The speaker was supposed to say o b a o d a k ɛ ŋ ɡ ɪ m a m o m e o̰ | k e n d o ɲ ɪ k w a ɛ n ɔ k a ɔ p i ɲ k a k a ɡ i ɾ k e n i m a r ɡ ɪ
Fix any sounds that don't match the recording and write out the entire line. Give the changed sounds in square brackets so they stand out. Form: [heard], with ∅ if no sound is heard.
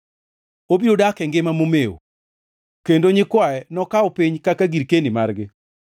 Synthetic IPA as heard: o b [i] o d a k ɛ ŋ ɡ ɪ m a m o m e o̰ | k e n d o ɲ ɪ k w a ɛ n ɔ k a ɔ p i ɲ k a k a ɡ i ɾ k e n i m a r ɡ ɪ